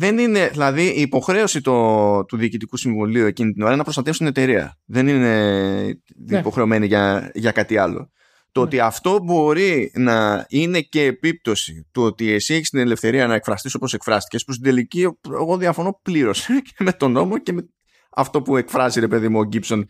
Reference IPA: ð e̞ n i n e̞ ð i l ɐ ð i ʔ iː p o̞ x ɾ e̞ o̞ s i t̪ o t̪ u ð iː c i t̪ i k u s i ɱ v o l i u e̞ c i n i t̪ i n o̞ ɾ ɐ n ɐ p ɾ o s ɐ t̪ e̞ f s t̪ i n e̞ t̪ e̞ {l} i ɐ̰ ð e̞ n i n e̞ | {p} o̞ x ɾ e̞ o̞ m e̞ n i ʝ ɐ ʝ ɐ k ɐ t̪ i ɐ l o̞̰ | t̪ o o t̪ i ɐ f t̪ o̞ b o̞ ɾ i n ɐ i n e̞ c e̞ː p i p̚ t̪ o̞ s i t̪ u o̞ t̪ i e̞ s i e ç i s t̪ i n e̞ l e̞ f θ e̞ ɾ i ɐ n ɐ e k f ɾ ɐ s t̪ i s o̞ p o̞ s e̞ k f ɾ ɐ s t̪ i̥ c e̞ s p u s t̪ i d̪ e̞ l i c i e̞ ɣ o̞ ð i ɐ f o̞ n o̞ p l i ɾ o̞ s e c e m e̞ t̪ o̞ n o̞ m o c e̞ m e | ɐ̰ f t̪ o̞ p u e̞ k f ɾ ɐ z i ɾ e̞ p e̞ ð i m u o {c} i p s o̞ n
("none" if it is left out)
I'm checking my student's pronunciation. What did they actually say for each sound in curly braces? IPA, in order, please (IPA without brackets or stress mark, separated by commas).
ɾ, p, ɟ